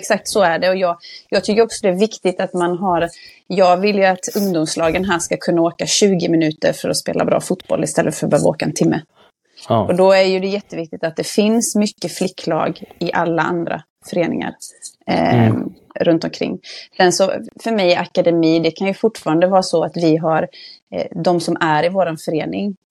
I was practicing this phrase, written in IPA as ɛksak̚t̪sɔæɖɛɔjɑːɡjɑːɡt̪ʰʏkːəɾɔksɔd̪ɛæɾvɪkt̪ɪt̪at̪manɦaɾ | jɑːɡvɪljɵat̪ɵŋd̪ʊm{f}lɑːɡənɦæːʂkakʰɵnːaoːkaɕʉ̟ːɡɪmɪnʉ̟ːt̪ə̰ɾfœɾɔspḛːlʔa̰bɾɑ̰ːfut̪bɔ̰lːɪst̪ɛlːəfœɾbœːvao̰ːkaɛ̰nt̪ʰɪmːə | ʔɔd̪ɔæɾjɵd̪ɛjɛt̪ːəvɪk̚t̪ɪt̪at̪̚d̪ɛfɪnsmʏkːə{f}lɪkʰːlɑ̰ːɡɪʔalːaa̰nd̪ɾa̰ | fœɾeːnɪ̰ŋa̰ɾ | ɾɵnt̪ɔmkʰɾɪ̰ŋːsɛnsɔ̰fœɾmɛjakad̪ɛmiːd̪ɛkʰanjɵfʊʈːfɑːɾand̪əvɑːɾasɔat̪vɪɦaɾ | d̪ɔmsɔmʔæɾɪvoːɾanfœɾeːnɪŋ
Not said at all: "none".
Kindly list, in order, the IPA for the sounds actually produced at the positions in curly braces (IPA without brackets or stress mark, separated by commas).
s, f